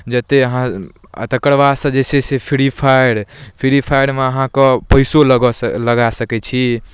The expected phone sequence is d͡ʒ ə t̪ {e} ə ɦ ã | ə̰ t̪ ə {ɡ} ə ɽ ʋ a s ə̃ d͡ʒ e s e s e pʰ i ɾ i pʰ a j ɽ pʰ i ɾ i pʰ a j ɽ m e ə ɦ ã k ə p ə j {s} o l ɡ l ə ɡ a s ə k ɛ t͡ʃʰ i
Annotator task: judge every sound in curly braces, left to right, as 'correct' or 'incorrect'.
correct, incorrect, correct

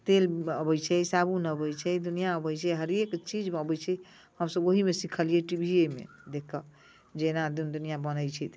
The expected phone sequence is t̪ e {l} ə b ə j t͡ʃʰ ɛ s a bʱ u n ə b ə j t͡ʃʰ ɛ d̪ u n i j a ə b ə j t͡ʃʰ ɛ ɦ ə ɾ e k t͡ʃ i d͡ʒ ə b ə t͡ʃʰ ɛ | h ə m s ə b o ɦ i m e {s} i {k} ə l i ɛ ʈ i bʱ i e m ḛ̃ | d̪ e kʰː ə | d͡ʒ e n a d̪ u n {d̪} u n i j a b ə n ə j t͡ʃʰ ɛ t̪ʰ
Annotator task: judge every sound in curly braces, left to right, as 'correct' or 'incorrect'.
correct, correct, incorrect, correct

